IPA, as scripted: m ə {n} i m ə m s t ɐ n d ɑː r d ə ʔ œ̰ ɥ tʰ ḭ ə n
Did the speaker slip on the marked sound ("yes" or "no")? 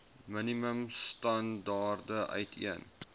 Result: no